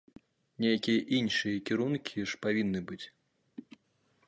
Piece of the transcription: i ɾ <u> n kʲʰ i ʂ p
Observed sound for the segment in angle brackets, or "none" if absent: u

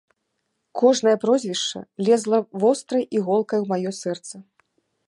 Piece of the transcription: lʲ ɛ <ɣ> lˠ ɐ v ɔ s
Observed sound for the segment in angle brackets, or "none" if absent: z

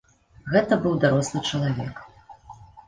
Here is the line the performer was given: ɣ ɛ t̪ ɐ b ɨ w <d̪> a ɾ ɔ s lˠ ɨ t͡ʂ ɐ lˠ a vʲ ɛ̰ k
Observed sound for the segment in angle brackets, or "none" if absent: d̪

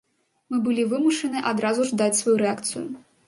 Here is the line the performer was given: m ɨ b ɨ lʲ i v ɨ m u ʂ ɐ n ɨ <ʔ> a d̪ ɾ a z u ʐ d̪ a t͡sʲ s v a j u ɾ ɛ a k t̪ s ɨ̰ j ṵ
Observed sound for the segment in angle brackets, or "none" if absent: ʔ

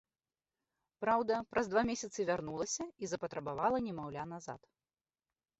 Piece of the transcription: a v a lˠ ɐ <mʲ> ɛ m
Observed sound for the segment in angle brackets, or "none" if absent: nʲ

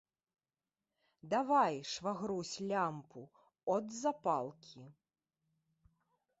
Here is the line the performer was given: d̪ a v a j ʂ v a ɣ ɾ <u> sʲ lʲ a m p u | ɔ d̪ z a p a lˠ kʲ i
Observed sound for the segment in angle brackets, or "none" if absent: u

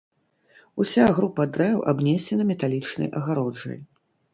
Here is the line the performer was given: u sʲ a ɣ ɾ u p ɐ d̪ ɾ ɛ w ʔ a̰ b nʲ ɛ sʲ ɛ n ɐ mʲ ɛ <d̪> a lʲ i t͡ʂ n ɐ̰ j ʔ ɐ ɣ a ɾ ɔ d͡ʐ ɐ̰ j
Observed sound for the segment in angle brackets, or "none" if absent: t̪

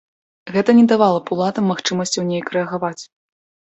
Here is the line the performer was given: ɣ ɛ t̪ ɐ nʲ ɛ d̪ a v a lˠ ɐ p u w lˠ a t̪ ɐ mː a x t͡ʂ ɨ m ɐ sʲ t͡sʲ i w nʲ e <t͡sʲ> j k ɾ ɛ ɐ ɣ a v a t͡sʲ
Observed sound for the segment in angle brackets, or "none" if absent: none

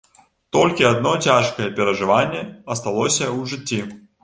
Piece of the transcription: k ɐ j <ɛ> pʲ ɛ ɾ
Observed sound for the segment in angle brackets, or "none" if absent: ɛ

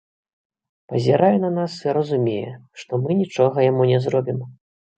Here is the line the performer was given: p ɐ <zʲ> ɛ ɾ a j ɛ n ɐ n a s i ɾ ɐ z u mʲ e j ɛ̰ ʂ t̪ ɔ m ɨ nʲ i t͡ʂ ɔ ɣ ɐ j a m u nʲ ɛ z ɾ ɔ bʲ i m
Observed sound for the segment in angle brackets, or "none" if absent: zʲ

